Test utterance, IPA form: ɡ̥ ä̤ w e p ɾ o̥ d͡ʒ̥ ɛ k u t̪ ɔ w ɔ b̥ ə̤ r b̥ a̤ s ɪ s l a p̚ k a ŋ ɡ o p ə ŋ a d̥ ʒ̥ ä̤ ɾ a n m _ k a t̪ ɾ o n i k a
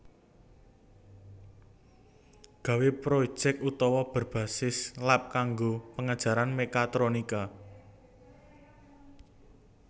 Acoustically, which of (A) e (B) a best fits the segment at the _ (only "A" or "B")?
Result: A